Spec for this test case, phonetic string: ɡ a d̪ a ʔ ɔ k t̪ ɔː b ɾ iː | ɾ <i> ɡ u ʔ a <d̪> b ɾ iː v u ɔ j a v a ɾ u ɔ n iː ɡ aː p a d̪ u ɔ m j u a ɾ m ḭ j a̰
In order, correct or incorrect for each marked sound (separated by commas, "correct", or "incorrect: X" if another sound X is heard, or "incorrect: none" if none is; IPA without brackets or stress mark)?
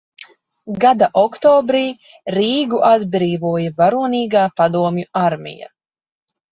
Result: incorrect: iː, correct